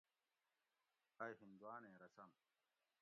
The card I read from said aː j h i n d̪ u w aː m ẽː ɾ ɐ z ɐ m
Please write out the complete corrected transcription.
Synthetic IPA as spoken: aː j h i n d̪ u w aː n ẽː ɾ ɐ s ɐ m